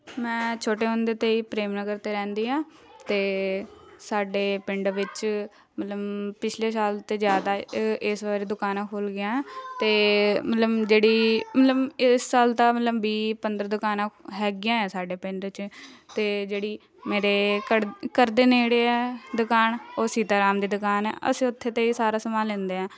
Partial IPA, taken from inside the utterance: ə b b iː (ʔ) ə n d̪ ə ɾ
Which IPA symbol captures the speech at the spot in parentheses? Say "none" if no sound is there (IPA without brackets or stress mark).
p